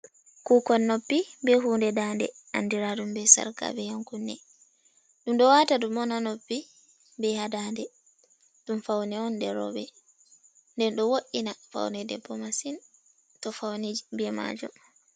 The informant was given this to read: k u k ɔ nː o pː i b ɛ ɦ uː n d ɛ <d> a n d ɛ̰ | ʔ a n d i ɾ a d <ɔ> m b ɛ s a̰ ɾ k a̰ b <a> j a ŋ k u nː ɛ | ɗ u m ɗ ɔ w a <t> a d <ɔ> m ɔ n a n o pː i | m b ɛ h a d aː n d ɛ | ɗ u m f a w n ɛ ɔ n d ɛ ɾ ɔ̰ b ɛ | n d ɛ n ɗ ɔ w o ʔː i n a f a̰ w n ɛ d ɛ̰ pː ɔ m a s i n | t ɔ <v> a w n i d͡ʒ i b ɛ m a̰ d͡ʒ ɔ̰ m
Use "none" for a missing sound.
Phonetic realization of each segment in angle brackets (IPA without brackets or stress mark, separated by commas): d, u, ɛ, t, u, f